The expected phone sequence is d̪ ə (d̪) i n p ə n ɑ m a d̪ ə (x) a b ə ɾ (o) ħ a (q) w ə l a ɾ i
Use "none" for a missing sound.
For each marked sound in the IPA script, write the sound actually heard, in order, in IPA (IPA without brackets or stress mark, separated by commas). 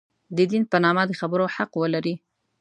d̪, x, o, q